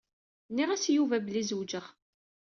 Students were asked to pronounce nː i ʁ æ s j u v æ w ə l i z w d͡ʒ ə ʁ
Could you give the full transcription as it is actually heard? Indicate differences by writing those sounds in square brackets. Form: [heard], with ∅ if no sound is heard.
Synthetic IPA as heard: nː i ʁ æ s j u v æ [b] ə l i z w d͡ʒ ə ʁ